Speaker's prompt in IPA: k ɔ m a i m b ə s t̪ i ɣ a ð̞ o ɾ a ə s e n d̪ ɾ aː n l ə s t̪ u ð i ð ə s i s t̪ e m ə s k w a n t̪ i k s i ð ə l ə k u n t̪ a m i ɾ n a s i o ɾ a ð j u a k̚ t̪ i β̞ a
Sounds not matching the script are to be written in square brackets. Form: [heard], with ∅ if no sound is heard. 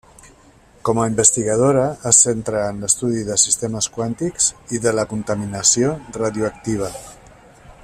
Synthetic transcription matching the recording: k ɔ m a i m b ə s t̪ i ɣ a ð̞ o ɾ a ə s e n [t̪] ɾ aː n l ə s t̪ u ð i ð ə s i s t̪ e m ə s k w a n t̪ i k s i ð ə l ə k u n t̪ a m i [∅] n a s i o [r] a ð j u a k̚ t̪ i β̞ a